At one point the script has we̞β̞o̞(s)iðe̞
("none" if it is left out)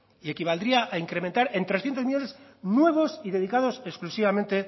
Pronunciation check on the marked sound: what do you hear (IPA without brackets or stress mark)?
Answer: s